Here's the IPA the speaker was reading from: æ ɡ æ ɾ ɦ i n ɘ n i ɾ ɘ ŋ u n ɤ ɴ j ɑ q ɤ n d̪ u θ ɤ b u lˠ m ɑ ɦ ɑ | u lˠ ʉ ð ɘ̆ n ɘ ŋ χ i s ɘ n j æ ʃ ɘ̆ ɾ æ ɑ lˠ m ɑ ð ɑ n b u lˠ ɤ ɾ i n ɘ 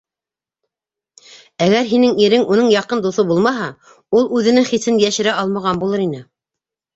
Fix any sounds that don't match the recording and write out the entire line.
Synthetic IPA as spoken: æ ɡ æ ɾ ɦ i n ɘ ŋ i ɾ ɘ ŋ u n ɤ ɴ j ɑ q ɤ n d̪ u θ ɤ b u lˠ m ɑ ɦ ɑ | u lˠ ʉ ð ɘ̆ n ɘ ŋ χ i s ɘ n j æ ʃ ɘ̆ ɾ æ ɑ lˠ m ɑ ʁ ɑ n b u lˠ ɤ ɾ i n ɘ